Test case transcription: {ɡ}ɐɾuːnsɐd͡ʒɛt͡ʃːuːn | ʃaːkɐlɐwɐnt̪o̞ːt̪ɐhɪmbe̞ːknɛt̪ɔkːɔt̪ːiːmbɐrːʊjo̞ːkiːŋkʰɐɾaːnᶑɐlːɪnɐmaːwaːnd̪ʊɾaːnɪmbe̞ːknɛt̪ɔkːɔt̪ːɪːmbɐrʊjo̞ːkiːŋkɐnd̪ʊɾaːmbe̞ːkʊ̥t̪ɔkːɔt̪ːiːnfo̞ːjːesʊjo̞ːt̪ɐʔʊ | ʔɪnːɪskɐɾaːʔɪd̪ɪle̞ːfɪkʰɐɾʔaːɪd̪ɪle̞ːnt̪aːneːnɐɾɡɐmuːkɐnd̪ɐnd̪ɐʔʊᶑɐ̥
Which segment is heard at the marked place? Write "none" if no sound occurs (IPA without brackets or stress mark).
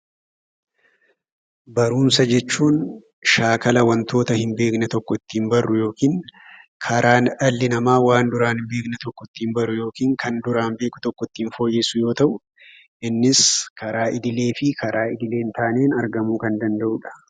b